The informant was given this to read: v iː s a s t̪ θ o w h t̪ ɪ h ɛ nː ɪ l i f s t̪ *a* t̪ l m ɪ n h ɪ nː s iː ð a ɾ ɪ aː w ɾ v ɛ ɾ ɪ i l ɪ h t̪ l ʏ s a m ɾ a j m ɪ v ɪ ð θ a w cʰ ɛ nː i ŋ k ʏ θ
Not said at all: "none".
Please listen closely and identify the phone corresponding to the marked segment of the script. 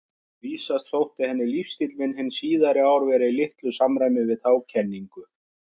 i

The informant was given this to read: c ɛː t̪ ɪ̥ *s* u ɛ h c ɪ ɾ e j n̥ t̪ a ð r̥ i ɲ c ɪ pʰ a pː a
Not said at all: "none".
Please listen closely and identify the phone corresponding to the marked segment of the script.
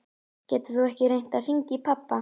θ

